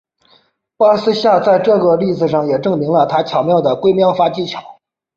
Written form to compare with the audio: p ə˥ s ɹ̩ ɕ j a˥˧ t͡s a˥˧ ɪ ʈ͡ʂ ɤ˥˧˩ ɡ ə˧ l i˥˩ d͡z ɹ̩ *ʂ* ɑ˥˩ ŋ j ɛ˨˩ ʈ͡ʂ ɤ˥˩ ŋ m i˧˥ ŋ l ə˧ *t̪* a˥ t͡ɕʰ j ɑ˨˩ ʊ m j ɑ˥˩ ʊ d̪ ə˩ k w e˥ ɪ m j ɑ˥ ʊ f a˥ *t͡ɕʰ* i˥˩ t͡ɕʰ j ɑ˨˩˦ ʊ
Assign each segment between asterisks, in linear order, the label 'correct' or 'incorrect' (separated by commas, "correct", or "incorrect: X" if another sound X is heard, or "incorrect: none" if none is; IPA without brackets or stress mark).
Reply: correct, incorrect: t̪ʰ, incorrect: t͡ɕ